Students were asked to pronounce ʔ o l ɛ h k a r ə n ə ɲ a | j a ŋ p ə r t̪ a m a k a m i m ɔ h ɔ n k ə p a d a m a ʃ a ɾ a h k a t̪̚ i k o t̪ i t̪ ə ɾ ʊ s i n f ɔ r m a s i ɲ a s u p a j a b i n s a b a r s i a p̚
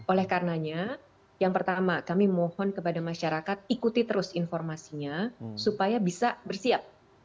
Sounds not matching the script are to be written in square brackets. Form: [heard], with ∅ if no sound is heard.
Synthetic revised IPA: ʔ o l ɛ h k a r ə n [a] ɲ a | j a ŋ p ə r t̪ a m a k a m i m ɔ h ɔ n k ə p a d a m a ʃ a ɾ a [∅] k a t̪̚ i k [u] t̪ i t̪ ə ɾ ʊ s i n f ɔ r m a s i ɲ a s u p a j a b i [∅] s a b [ə] r s i a p̚

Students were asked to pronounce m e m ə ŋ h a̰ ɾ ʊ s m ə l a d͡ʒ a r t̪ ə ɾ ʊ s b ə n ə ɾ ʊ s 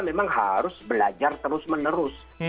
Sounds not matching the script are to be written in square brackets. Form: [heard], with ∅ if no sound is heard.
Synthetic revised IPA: m e m [a] ŋ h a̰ ɾ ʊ s [b] ə l a d͡ʒ a r t̪ ə ɾ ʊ s [m] ə n ə ɾ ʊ s

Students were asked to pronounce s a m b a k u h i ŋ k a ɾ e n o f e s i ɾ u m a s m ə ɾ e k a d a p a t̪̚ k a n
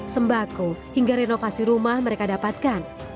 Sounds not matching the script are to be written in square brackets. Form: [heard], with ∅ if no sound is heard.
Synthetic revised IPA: s [ə] m b a k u h i ŋ [ɡ] a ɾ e n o f [a] s i ɾ u m a [h] m ə ɾ e k a d a p a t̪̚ k a n

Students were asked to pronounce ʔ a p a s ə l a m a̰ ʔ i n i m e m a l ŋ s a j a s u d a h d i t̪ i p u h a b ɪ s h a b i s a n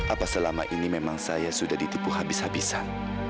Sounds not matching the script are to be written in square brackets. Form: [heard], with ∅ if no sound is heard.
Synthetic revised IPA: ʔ a p a s ə l a m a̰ ʔ i n i m e m a [∅] ŋ s a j a s u d a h d i t̪ i p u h a b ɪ s h a b i s a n

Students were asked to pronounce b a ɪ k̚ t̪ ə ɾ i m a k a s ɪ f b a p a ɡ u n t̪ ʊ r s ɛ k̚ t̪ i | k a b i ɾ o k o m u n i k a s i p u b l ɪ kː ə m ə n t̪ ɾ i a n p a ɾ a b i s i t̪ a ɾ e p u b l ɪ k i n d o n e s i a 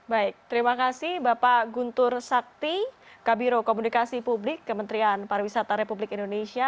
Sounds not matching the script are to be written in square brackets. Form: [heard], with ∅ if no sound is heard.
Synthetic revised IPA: b a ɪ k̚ t̪ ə ɾ i m a k a s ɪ [h] b a p a ɡ u n t̪ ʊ r s [a] k̚ t̪ i | k a b i ɾ o k o m u n i k a s i p u b l ɪ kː ə m ə n t̪ ɾ i a n p a ɾ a [w] i s [a] t̪ a ɾ e p u b l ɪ k i n d o n e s i a

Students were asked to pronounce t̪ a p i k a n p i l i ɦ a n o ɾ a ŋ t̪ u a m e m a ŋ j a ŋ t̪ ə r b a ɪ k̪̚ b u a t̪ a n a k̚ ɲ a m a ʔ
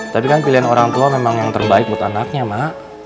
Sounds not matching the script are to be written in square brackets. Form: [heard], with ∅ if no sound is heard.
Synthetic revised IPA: t̪ a p i k a n p i l i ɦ a n o ɾ a ŋ t̪ u a m e m a ŋ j a ŋ t̪ ə r b a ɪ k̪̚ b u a t̪ a n a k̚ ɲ a m a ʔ

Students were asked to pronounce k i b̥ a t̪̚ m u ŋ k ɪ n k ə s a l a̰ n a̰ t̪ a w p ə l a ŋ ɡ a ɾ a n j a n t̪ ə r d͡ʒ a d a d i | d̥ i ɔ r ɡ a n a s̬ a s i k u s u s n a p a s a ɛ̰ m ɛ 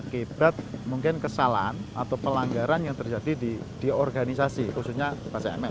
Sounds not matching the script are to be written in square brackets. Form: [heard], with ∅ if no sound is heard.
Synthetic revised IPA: k i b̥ a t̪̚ m u ŋ k ɪ n k ə s a l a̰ n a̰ t̪ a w p ə l a ŋ ɡ a ɾ a n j a [ŋ] t̪ ə r d͡ʒ a d [i] d i | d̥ i ɔ r ɡ a n [i] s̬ a s i k u s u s [ɲ] a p a s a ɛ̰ m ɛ

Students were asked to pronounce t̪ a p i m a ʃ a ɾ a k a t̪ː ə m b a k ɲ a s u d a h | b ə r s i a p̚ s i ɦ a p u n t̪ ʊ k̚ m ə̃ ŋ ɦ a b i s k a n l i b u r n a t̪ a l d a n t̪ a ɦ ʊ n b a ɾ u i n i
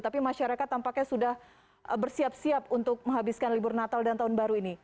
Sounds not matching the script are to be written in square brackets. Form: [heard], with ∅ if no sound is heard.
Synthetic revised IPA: t̪ a p i m a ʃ a ɾ a k a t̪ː [a] m [p] a k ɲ a s u d a h | b ə r s i a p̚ s i [∅] a p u n t̪ ʊ k̚ m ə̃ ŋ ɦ a b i s k a n l i b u r n a t̪ a l d a n t̪ a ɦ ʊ n b a ɾ u i n i

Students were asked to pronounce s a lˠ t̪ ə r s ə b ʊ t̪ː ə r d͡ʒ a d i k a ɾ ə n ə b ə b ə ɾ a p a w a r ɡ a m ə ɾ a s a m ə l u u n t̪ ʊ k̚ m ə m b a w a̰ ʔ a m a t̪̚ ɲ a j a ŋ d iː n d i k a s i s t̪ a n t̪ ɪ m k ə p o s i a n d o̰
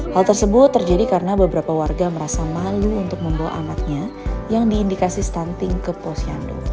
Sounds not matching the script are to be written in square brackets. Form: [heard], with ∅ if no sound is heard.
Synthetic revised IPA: [h] a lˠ t̪ ə r s ə b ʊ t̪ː ə r d͡ʒ a d i k a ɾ ə n [a] b ə b ə ɾ a p a w a r ɡ a m ə ɾ a s a m [a] l u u n t̪ ʊ k̚ m ə m b a w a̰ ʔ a m a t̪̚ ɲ a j a ŋ d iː n d i k a s i s t̪ a n t̪ ɪ [ŋ] k ə p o s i a n d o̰

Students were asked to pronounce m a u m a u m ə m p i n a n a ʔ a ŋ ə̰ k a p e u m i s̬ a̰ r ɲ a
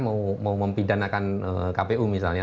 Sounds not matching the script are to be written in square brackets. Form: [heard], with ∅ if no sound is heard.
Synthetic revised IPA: m a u m a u m ə m p i [d] a n a [k] a [n] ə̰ k a p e u m i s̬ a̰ [l] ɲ a

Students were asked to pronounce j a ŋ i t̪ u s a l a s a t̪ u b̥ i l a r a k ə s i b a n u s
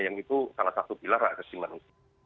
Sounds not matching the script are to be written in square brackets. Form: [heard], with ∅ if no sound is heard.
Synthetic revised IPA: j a ŋ i t̪ u s a l a s a t̪ u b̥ i l a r a k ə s i [m] a n u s

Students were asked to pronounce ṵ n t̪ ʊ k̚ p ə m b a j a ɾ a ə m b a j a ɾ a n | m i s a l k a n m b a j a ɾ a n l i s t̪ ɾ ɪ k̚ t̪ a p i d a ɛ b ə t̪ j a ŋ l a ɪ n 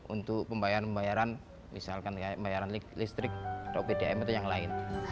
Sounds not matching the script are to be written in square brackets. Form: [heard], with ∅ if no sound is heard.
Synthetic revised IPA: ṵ n t̪ ʊ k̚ p ə m b a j a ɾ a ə m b a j a ɾ a n | m i s a l k a n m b a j a ɾ a n l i s t̪ ɾ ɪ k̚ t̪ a p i d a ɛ [m] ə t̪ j a ŋ l a ɪ n

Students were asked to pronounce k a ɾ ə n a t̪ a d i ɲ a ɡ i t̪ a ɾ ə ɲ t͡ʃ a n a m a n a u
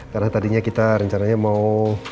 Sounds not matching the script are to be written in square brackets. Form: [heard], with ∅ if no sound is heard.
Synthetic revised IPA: k a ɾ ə n a t̪ a d i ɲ a [k] i t̪ a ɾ ə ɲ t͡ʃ a n a [ɲ] a [m] a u

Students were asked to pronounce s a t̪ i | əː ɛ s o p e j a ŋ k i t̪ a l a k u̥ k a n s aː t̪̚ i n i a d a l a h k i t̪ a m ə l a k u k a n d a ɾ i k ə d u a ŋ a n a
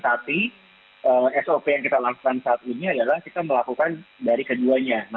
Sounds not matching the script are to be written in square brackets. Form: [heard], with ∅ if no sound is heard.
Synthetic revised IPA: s a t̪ i | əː ɛ s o p e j a ŋ k i t̪ a l a k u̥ k a n s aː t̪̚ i n i a d a l a h k i t̪ a m ə l a k u k a n d a ɾ i k ə d u a [ɲ] a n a

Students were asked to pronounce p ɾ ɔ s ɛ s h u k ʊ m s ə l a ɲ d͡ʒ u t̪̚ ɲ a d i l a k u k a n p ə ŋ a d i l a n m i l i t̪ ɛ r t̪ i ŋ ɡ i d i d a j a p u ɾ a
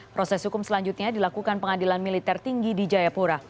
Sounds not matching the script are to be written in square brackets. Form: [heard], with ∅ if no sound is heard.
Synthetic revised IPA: p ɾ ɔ s ɛ s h u k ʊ m s ə l a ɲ d͡ʒ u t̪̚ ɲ a d i l a k u k a n p ə ŋ a d i l a n m i l i t̪ ɛ r t̪ i ŋ ɡ i d i [d͡ʒ] a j a p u ɾ a

